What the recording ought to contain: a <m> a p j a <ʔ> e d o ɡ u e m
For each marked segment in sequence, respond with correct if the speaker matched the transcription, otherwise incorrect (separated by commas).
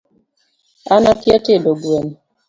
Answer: incorrect, incorrect